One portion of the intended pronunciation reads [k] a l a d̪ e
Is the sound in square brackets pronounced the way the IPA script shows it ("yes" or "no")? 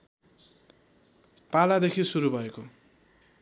no